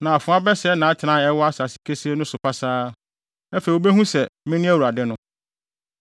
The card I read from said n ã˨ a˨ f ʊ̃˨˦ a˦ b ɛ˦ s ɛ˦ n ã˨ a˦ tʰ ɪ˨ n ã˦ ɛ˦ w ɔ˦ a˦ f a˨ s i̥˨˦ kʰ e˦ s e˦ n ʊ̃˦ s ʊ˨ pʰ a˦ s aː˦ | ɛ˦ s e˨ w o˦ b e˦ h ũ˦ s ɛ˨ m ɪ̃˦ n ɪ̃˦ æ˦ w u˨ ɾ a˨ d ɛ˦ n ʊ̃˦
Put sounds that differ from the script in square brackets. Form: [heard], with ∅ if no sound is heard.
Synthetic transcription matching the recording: n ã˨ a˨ f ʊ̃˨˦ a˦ b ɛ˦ s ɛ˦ n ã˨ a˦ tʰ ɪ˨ n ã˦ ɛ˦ w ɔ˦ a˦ [s] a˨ s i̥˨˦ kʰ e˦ s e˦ n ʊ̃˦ s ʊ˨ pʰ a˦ s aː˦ | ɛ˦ [f] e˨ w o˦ b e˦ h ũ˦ s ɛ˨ m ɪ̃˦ n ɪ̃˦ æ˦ w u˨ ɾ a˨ d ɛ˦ n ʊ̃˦